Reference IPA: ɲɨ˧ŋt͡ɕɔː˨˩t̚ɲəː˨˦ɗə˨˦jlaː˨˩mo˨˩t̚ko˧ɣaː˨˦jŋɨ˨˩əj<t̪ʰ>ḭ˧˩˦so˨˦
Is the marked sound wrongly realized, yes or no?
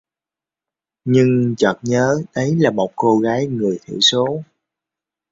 no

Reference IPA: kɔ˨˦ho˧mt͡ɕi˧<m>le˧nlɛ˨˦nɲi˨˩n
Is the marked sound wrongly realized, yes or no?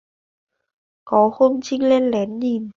yes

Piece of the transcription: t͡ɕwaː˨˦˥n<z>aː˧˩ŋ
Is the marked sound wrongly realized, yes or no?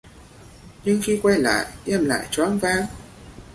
yes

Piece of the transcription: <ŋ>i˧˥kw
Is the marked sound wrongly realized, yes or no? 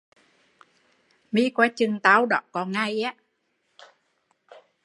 yes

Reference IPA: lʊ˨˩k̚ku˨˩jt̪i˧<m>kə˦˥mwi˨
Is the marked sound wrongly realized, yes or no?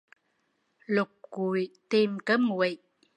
no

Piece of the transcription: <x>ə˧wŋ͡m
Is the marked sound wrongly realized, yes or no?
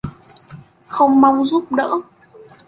no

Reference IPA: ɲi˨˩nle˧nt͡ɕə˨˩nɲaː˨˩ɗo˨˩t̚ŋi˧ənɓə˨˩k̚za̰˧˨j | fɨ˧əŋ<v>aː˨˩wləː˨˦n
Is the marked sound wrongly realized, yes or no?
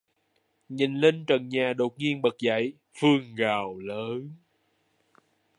yes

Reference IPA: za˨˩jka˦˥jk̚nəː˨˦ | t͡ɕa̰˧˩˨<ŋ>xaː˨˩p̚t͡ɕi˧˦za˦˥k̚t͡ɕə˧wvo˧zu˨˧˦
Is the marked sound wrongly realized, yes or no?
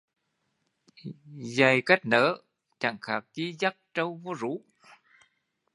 no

